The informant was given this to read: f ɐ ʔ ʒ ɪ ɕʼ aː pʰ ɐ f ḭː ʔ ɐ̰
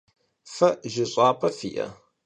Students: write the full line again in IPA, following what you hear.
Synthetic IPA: f ɐ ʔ ʒ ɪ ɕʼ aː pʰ ɐ f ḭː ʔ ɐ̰

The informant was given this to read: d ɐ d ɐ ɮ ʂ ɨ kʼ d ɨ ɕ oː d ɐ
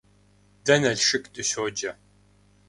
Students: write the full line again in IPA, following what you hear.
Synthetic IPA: d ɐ n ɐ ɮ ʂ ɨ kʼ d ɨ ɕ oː d͡ʒ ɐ

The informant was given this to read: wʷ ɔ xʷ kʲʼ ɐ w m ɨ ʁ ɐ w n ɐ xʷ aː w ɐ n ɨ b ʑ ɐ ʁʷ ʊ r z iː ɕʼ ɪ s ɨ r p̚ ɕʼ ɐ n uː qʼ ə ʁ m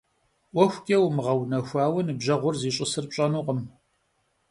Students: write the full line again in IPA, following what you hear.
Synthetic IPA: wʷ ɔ xʷ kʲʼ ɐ w m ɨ ʁ ɐ w n ɐ xʷ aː w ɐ n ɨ b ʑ ɐ ʁʷ ʊ r z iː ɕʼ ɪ s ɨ r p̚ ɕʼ ɐ n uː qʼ ə m

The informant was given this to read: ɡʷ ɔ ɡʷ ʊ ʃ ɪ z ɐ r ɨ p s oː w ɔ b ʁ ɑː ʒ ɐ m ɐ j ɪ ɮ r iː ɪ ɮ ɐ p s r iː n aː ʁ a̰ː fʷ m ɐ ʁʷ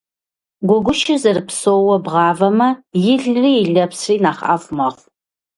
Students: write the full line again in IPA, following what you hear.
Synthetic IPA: ɡʷ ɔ ɡʷ ʊ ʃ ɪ z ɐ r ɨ p s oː w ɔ b ʁ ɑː v ɐ m ɐ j ɪ ɮ r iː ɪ ɮ ɐ p s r iː n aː χ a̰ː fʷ m ɐ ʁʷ

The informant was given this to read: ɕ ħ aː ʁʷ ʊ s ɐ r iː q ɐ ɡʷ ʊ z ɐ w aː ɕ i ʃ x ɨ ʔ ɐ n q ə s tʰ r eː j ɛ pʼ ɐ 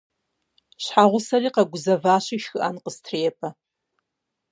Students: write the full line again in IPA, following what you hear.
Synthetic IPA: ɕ ħ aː ʁʷ ʊ s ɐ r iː q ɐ ɡʷ ʊ z ɐ v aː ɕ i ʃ x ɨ ʔ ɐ n q ə s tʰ r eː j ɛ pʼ ɐ

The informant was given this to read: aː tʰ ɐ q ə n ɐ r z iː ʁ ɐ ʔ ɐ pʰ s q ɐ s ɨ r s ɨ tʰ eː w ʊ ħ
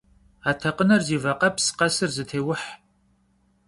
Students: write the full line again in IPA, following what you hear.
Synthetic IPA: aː tʰ ɐ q ə n ɐ r z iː v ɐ q ɐ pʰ s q ɐ s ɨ r z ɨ tʰ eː w ʊ ħ

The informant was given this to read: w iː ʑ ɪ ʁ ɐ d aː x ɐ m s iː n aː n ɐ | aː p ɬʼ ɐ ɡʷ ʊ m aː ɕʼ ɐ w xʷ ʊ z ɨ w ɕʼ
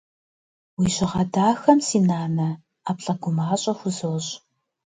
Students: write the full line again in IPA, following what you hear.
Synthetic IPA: w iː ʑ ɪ ʁ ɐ d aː x ɐ m s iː n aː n ɐ | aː p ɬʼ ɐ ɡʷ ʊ m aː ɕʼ ɐ xʷ ʊ z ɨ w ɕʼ

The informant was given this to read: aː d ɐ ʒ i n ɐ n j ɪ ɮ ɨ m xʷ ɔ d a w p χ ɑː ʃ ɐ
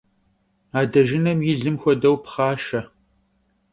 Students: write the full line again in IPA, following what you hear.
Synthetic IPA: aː d ɐ ʒ ɪ n ɐ m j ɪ ɮ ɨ m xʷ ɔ d ɐ w p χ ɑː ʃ ɐ

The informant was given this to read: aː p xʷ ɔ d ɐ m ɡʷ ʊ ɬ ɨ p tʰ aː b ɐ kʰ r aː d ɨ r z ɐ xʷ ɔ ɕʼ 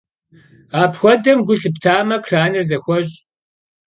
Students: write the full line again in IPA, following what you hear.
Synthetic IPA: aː p xʷ ɔ d ɐ m ɡʷ ʊ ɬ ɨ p tʰ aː m ɐ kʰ r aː n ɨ r z ɐ xʷ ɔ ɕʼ

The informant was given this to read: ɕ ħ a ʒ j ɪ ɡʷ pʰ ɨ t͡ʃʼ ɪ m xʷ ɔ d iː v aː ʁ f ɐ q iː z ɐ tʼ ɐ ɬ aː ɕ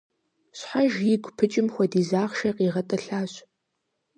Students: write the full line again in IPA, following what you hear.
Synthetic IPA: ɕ ħ a ʒ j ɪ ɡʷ pʰ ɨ t͡ʃʼ ɪ m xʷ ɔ d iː z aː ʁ ʃ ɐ q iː ʁ ɐ tʼ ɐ ɬ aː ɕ

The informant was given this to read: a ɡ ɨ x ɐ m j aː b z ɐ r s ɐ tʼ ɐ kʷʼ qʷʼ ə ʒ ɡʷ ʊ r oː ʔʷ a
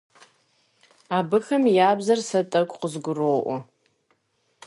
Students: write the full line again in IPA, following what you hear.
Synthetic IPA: a b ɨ x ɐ m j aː b z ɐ r s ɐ tʼ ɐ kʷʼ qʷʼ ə z ɡʷ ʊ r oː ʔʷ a

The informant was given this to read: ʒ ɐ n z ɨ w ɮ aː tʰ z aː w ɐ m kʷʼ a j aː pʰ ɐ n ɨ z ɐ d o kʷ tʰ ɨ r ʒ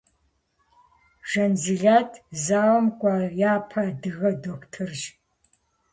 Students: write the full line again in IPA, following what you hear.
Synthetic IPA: ʒ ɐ n z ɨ ɮ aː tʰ z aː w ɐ m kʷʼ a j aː pʰ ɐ d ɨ ɣ ɐ d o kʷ tʰ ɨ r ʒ

